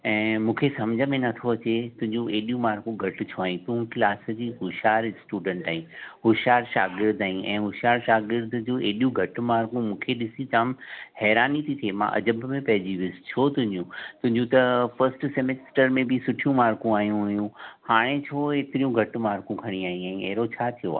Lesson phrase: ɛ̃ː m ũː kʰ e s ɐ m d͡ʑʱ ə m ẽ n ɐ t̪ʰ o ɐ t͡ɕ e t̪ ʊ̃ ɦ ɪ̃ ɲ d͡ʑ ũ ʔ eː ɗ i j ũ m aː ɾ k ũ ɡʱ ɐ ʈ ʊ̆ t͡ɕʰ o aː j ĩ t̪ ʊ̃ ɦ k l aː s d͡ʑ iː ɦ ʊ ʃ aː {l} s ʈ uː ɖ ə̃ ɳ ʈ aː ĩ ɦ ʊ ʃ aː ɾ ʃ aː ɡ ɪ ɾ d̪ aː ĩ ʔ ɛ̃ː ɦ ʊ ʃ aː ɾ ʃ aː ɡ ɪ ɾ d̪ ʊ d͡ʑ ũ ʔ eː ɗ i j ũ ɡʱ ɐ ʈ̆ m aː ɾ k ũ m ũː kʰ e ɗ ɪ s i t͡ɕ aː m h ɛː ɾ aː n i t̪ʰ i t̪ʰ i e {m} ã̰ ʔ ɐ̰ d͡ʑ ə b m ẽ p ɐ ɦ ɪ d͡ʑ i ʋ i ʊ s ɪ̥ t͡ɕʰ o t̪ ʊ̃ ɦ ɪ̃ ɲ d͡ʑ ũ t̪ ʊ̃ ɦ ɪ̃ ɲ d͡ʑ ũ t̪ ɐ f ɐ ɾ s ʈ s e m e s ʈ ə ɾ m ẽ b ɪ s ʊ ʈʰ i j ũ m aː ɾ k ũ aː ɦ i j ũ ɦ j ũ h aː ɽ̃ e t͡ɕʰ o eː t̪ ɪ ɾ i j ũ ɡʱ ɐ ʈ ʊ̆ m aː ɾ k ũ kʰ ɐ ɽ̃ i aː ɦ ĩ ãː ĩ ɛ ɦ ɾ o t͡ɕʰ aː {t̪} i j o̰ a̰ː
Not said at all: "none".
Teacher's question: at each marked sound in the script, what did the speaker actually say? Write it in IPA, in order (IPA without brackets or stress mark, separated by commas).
ɾ, m, t̪ʰ